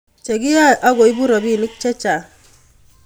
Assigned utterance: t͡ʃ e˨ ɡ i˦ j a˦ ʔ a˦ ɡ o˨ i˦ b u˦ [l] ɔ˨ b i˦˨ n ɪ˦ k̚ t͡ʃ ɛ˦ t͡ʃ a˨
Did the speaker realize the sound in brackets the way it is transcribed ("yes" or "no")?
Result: no